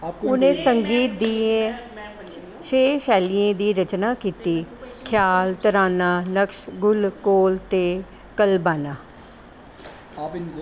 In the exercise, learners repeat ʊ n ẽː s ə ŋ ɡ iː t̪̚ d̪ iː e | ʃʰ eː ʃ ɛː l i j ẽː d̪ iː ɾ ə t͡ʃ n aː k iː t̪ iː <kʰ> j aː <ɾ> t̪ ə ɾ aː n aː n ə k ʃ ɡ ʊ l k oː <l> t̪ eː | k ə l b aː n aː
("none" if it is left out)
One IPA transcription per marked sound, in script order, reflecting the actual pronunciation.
kʰ, l, l

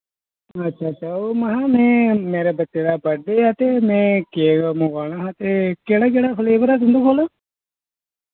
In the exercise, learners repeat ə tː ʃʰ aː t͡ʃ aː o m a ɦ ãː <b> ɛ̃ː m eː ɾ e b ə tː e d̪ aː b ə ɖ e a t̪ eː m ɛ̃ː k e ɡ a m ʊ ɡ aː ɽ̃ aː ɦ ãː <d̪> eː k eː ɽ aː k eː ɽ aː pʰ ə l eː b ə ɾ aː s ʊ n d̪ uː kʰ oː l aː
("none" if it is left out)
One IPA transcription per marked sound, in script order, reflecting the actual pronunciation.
m, t̪

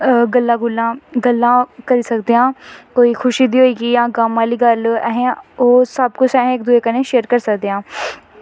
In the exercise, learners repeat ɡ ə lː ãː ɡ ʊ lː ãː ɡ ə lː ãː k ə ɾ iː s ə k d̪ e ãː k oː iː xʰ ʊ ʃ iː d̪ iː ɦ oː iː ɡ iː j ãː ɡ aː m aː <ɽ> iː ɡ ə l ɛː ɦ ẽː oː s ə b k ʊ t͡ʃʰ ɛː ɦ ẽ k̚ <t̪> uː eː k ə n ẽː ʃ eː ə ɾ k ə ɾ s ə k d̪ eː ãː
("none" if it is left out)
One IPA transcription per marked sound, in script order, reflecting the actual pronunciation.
l, d̪

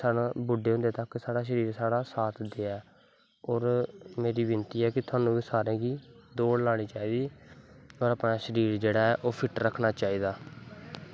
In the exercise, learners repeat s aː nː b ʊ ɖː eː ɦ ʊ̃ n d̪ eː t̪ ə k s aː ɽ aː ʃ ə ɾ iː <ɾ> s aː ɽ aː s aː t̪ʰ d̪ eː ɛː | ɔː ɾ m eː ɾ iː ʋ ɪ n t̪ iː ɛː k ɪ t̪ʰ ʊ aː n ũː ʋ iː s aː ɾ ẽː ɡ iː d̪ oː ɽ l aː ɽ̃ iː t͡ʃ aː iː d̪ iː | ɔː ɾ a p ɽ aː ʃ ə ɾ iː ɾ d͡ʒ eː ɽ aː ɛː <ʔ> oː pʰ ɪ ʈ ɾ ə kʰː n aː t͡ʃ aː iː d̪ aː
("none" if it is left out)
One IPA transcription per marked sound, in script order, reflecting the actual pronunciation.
ɾ, ʔ

